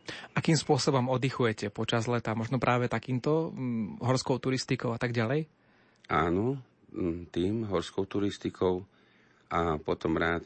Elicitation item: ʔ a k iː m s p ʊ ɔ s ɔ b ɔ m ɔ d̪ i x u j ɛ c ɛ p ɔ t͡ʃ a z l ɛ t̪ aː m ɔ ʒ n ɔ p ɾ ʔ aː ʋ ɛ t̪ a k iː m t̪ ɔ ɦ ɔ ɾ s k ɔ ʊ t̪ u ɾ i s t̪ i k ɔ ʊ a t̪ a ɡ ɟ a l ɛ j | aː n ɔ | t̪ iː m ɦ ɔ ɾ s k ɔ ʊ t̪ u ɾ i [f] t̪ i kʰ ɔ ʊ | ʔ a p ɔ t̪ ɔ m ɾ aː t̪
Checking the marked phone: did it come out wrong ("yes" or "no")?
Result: yes